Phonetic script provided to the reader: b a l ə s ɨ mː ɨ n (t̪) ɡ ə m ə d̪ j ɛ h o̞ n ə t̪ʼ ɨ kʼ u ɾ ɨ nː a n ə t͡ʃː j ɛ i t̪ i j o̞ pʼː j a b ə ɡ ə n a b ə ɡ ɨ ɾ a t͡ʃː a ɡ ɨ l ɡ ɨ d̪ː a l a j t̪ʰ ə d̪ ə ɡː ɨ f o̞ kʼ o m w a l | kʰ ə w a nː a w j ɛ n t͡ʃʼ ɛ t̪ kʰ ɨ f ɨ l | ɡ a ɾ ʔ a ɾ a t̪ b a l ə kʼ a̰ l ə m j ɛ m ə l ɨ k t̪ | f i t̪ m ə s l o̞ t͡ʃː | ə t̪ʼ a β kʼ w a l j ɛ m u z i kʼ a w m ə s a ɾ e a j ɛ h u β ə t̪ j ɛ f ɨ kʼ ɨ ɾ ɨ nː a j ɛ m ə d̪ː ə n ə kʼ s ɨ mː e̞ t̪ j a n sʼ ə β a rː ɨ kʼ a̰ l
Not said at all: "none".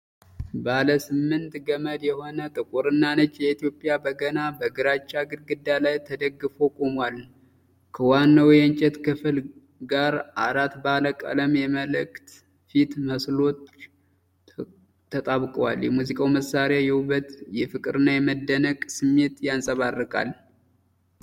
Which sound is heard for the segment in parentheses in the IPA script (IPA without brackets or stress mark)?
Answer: t̪